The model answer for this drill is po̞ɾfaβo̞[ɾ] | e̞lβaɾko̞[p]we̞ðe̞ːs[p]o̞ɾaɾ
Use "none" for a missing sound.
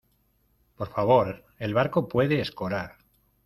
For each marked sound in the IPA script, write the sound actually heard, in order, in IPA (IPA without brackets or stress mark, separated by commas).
ɾ, p, k